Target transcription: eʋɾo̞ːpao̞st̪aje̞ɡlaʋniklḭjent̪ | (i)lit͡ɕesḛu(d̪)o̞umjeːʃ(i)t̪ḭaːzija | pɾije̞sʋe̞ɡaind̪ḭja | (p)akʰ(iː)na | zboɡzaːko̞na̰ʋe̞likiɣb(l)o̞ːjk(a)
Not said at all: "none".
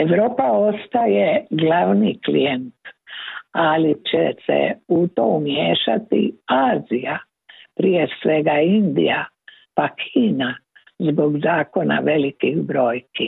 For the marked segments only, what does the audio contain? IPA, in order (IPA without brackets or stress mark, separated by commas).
a, t̪, a, p, iː, ɾ, i